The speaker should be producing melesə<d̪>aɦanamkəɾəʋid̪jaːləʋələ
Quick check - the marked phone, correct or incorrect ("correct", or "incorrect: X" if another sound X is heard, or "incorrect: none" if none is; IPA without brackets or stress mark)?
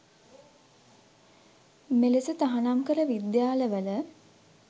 incorrect: t̪